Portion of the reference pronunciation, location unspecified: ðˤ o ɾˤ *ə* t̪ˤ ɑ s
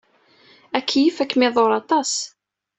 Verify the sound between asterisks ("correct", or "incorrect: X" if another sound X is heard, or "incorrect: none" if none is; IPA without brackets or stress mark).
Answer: incorrect: ɑ